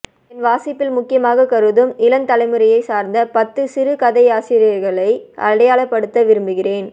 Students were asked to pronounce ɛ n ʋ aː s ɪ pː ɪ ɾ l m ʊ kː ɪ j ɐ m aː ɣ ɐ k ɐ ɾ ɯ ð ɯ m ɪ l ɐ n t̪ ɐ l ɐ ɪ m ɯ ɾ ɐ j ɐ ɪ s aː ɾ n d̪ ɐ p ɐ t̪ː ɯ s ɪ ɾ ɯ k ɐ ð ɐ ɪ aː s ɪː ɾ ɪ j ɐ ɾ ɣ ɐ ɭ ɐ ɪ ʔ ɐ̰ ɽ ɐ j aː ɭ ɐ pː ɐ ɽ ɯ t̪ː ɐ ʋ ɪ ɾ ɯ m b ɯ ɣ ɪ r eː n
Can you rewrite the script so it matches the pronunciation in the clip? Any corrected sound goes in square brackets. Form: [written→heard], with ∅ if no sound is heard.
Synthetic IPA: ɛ n ʋ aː s ɪ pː ɪ [ɾ→∅] l m ʊ kː ɪ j ɐ m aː ɣ ɐ k ɐ ɾ ɯ ð ɯ m ɪ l ɐ n t̪ ɐ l ɐ ɪ m ɯ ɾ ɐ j ɐ ɪ s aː ɾ n d̪ ɐ p ɐ t̪ː ɯ s ɪ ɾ ɯ k ɐ ð ɐ ɪ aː s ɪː ɾ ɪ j ɐ ɾ ɣ ɐ ɭ ɐ ɪ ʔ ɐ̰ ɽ ɐ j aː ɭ ɐ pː ɐ ɽ ɯ t̪ː ɐ ʋ ɪ ɾ ɯ m b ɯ ɣ ɪ r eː n